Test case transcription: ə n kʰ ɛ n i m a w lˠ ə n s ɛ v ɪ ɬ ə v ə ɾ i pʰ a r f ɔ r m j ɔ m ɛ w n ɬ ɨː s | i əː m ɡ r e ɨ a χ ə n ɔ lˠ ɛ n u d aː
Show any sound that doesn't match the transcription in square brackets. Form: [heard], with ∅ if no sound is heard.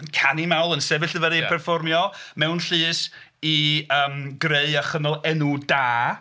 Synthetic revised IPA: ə n kʰ [a] n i m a w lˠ ə n s ɛ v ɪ ɬ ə v ə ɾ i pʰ [ɛ] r f ɔ r m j ɔ m ɛ w n ɬ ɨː s | i əː m ɡ r e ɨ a χ ə n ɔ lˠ ɛ n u d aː